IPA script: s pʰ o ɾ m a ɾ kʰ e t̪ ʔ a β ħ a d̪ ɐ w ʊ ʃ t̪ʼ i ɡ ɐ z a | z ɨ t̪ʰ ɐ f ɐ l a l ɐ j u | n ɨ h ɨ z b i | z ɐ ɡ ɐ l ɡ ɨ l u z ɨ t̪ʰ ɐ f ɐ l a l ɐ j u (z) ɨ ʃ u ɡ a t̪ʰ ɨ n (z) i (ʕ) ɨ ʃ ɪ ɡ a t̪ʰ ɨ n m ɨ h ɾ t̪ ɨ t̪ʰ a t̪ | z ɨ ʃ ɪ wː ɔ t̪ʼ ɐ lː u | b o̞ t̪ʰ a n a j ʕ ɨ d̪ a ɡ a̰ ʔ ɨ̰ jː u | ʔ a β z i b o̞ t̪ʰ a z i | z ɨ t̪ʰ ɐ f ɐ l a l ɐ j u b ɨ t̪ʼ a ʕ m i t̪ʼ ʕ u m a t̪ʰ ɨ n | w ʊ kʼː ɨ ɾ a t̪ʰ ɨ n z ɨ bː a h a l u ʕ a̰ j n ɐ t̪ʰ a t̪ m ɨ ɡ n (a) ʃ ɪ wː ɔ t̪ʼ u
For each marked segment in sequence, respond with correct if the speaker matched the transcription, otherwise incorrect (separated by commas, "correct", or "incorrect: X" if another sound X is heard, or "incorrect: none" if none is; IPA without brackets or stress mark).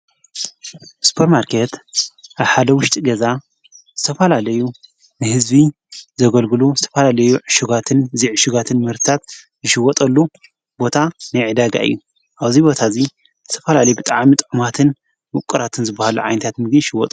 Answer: incorrect: ʕ, correct, correct, incorrect: i